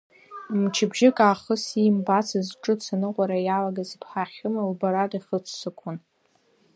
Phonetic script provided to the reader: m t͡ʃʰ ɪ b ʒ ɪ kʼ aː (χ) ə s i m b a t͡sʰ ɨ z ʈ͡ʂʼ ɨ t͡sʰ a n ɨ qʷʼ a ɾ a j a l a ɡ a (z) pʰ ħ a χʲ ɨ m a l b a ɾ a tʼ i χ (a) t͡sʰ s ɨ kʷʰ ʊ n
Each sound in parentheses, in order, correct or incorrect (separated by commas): correct, correct, incorrect